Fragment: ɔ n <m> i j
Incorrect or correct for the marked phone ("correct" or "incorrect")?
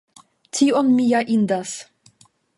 correct